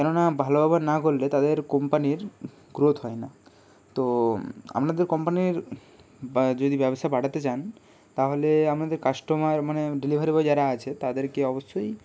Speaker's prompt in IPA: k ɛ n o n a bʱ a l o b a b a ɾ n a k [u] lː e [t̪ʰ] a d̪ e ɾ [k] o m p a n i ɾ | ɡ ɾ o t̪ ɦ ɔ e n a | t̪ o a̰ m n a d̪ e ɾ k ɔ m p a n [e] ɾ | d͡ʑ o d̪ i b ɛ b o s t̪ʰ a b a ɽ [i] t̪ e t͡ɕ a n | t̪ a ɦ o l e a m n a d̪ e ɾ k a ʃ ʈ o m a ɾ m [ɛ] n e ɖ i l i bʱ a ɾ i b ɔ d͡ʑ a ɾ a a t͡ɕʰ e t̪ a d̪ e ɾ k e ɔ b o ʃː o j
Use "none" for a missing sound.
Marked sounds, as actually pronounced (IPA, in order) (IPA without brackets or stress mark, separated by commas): o, t̪, k, i, a, a